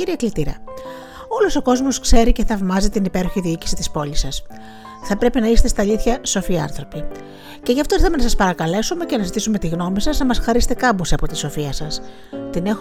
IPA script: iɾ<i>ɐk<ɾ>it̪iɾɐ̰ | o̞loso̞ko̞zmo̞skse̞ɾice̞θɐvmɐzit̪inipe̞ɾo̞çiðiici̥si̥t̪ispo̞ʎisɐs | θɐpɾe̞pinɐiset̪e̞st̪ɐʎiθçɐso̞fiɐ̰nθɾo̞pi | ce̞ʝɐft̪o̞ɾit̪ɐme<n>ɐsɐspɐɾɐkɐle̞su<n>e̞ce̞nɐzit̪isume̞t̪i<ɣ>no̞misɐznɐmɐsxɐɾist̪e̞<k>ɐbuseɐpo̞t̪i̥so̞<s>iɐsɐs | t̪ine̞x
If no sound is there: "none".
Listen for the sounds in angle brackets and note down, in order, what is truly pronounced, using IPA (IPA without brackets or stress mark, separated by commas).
i, l, n, m, ɣ, k, f